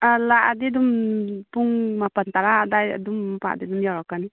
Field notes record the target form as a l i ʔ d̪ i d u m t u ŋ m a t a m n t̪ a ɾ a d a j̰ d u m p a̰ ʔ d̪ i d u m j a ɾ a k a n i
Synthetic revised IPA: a l a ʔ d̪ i d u m p u ŋ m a p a n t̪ a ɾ a d a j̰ d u m p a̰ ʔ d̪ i d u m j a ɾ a k a n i